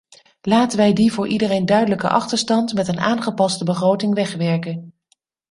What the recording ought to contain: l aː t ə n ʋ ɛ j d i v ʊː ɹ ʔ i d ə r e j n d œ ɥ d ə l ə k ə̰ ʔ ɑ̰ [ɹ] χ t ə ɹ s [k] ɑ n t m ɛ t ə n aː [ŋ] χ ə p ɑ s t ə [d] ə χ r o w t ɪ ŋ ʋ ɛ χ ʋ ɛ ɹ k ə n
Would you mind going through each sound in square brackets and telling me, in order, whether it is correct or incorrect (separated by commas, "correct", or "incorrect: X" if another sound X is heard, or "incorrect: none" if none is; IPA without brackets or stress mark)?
incorrect: none, incorrect: t, incorrect: n, incorrect: b